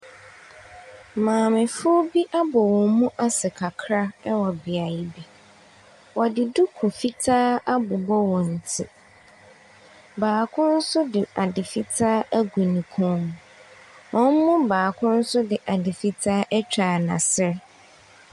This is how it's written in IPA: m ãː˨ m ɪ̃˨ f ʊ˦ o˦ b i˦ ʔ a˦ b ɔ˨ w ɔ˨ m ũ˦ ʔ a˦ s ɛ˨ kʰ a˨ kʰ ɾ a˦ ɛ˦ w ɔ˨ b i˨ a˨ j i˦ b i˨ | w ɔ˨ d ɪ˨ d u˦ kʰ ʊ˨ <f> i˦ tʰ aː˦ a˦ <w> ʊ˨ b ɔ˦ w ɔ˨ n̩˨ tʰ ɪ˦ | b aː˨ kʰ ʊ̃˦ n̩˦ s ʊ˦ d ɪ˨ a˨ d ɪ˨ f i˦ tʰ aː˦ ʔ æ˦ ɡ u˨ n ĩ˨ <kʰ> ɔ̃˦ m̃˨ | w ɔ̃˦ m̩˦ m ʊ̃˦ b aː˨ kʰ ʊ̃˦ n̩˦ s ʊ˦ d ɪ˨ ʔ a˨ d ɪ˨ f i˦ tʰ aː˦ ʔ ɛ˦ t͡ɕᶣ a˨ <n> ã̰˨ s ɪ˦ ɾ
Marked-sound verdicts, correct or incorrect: correct, incorrect: b, correct, correct

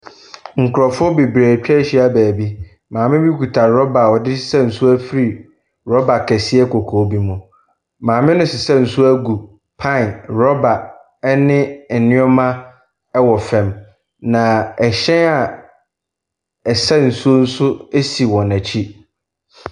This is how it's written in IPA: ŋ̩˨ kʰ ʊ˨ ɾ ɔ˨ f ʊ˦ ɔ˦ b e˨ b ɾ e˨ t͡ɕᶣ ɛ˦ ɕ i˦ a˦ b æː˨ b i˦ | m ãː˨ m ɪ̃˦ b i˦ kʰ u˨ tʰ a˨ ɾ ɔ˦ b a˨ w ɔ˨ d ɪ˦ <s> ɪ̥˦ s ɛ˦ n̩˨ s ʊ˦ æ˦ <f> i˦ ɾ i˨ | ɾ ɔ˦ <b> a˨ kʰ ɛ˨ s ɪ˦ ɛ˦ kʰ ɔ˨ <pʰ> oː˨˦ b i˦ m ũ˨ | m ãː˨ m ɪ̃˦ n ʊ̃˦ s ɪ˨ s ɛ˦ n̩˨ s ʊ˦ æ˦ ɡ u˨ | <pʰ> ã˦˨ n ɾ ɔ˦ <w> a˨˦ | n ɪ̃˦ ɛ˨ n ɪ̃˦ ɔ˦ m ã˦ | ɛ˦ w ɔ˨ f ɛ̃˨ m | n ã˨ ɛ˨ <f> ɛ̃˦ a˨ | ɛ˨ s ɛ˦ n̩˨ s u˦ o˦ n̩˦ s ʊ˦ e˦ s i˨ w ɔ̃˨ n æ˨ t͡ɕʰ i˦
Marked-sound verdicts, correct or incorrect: correct, correct, correct, incorrect: kʰ, correct, incorrect: b, incorrect: ɕ

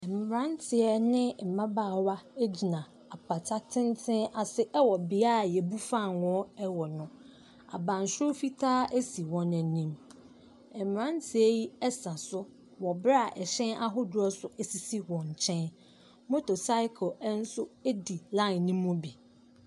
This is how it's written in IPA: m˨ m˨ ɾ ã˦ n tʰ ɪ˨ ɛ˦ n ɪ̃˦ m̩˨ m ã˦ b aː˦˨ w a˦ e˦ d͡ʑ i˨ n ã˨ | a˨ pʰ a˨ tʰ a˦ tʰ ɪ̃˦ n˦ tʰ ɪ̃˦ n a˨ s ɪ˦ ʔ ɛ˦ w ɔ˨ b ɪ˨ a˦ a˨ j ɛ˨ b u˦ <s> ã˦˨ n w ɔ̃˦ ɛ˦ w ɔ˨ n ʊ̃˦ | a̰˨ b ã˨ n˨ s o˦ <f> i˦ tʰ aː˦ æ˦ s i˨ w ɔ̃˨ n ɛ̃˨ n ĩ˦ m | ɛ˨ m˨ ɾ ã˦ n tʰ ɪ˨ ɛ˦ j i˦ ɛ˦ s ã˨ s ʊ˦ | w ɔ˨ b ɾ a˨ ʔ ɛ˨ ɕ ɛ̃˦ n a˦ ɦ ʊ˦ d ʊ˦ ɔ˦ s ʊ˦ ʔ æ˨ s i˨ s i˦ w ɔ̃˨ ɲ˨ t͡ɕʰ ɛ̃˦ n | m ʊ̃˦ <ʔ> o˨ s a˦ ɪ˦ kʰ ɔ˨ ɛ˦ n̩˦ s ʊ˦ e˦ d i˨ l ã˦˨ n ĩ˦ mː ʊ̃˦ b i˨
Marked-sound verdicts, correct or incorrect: incorrect: f, correct, incorrect: t

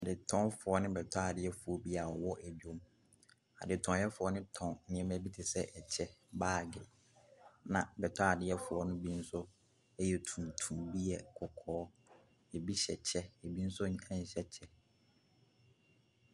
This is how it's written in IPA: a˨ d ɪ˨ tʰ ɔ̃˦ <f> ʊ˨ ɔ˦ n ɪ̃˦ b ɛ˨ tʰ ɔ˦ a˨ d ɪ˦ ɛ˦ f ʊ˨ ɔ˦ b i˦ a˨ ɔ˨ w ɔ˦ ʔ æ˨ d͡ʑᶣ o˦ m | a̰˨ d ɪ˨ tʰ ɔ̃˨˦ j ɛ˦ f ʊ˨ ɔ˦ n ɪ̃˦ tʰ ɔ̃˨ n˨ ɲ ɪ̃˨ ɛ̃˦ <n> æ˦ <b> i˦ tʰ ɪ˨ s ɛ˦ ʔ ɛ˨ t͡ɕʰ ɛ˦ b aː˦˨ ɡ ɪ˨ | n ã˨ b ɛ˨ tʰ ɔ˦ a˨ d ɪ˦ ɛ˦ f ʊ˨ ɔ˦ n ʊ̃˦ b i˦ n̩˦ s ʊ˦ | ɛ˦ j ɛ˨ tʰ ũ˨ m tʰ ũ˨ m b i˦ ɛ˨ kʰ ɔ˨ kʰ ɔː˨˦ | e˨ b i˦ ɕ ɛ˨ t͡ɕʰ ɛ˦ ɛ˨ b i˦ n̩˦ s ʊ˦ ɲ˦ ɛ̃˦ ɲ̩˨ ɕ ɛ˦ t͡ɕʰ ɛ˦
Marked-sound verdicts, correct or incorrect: correct, incorrect: m, correct

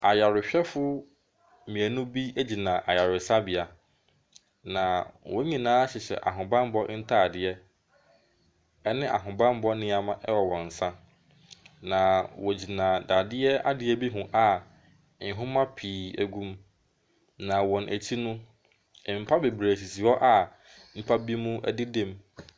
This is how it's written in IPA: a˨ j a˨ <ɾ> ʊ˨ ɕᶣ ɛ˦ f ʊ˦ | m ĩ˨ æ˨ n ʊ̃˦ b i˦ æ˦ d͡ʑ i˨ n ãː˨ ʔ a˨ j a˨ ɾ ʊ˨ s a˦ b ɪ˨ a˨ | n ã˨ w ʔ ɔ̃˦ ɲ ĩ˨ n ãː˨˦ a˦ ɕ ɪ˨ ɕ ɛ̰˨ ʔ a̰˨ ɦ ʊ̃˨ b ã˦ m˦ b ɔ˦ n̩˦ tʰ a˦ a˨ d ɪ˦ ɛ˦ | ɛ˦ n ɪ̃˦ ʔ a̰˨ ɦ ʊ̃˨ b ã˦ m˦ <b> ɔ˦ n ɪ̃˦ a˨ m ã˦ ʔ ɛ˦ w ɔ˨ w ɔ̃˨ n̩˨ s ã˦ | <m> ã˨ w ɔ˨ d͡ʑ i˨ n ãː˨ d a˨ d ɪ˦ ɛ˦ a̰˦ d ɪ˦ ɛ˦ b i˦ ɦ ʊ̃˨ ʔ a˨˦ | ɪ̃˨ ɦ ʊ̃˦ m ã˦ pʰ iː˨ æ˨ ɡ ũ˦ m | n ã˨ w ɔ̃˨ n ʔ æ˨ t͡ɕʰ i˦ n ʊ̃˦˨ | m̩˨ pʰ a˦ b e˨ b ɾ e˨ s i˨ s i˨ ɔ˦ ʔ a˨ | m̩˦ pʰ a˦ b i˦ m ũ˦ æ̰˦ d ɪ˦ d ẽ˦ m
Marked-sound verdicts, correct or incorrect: correct, correct, incorrect: n

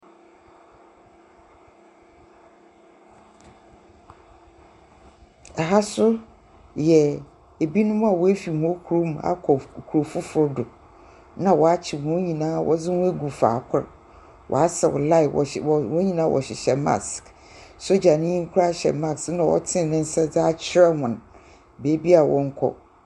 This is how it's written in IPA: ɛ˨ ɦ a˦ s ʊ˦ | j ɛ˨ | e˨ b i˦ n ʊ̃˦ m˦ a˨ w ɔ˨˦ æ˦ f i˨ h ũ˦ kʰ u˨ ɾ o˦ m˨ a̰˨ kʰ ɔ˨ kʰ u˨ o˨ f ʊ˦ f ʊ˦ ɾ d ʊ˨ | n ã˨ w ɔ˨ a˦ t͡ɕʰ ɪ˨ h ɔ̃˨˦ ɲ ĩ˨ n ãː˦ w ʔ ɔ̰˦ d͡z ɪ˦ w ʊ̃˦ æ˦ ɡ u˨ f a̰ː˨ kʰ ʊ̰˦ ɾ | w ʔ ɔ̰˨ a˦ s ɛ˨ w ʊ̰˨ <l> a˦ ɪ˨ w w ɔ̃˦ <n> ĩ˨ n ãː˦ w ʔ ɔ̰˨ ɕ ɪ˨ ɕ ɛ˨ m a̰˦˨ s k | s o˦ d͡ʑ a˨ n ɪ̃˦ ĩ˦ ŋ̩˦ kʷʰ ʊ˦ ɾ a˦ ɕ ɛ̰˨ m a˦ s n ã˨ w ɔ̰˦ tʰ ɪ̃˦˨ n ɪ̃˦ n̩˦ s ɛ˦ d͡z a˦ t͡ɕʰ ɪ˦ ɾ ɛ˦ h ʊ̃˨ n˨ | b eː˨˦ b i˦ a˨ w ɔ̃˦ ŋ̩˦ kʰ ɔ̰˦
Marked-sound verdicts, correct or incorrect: correct, incorrect: ɲ

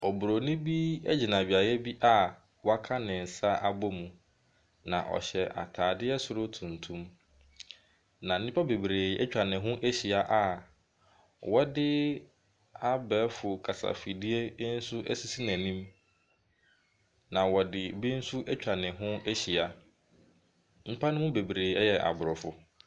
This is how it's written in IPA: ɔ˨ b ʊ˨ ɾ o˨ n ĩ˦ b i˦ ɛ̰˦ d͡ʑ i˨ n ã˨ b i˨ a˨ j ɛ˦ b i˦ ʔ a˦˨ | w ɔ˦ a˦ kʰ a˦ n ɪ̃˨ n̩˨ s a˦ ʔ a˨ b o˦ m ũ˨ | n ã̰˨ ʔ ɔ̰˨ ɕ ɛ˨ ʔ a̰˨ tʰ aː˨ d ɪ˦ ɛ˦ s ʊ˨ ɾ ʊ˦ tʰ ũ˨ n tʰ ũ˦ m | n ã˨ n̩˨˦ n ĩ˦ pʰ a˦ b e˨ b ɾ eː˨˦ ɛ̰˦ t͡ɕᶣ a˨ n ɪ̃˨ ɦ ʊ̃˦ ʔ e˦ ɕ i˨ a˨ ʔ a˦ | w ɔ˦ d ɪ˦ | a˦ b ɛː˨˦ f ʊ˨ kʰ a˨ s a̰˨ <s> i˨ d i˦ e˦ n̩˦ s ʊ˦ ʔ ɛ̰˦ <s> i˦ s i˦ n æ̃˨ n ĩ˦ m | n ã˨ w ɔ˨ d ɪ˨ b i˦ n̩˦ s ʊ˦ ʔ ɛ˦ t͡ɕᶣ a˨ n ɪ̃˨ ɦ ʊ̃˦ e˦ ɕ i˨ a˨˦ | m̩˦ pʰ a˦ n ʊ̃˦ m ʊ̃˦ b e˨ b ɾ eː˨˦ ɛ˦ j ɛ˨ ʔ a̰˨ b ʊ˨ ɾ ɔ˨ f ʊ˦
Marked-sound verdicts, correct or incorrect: incorrect: f, correct

